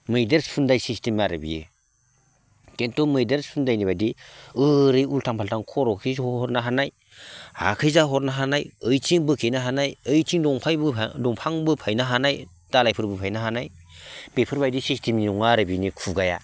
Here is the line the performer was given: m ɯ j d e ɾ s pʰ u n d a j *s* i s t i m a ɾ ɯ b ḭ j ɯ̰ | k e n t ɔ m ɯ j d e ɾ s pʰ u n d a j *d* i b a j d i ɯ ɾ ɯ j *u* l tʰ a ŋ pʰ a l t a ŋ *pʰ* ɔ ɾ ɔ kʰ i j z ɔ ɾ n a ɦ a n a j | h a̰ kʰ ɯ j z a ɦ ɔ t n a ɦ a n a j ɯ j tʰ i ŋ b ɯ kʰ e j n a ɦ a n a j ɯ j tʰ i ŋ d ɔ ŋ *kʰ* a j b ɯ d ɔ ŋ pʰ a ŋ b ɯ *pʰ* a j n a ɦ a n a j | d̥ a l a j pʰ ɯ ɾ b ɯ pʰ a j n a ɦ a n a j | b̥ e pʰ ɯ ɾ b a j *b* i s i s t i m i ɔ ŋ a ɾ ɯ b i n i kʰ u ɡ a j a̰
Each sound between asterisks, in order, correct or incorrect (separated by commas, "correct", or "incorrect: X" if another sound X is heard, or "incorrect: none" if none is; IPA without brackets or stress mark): correct, incorrect: n, correct, incorrect: kʰ, incorrect: pʰ, correct, incorrect: d